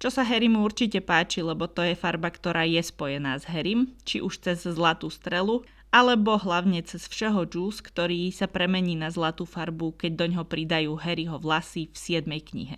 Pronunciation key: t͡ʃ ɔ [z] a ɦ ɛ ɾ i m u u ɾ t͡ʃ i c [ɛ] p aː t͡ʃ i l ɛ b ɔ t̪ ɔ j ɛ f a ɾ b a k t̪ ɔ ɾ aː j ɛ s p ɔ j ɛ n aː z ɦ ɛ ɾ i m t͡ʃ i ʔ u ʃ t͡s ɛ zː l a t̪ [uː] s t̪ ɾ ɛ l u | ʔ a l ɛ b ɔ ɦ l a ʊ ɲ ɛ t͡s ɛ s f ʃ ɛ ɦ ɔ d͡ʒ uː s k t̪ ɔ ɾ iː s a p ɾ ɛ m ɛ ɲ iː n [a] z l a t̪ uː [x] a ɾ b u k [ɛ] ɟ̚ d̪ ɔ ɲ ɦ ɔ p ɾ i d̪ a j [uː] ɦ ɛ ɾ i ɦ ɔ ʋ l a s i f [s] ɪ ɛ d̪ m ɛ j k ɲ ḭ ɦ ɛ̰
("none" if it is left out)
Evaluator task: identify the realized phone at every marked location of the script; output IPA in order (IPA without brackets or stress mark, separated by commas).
s, ɛ, uː, a, f, ɛ, uː, s